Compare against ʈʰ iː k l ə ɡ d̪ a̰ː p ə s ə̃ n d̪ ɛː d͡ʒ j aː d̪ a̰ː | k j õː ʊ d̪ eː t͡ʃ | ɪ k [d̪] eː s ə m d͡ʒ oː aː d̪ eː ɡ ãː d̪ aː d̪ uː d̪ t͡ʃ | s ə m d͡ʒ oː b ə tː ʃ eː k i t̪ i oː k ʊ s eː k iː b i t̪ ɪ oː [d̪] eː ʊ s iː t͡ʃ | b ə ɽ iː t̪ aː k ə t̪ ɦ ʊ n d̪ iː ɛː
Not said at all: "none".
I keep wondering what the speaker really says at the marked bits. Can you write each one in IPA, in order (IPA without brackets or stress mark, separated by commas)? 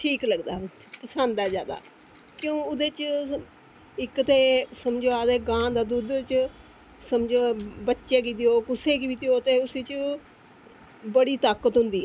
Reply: t̪, t̪